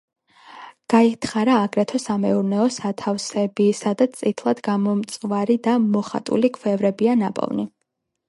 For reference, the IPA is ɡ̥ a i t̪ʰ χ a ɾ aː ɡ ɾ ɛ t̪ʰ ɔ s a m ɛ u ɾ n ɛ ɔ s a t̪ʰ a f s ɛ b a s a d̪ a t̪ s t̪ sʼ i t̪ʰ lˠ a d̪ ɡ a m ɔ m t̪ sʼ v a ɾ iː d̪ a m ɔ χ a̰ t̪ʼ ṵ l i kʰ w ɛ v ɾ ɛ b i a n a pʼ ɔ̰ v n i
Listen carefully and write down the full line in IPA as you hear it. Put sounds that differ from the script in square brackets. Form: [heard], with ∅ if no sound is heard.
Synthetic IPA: ɡ̥ a i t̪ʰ χ a ɾ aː ɡ ɾ ɛ t̪ʰ ɔ s a m ɛ u ɾ n ɛ ɔ s a t̪ʰ a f s ɛ b [i] s a d̪ a t̪ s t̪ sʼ i t̪ʰ lˠ a d̪ ɡ a m ɔ m t̪ sʼ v a ɾ [i] d̪ a m ɔ χ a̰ t̪ʼ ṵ l i kʰ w ɛ v ɾ ɛ b i a n a pʼ ɔ̰ v n i